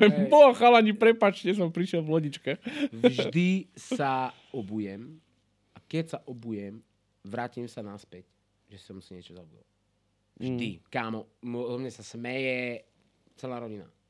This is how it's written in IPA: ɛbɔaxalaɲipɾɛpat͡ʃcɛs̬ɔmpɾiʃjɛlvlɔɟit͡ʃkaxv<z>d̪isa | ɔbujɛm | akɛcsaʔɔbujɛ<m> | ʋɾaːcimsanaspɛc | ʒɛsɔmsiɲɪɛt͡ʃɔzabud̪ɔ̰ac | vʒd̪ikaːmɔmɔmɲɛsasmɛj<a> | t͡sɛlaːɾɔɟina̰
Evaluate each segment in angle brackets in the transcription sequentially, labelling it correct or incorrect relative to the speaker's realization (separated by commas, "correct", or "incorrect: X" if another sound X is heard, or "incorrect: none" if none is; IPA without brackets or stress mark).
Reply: incorrect: ʒ, correct, incorrect: ɛ